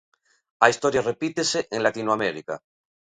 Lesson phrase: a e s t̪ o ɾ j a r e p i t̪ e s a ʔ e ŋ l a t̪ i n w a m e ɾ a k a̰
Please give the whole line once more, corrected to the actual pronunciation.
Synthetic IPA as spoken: a i s t̪ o ɾ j a r e p i t̪ e s e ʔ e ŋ l a t̪ i n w a m e ɾ i k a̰